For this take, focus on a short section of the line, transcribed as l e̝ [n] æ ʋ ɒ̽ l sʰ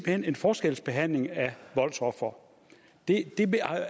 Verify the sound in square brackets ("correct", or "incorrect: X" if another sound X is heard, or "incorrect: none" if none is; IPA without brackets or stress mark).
incorrect: ŋ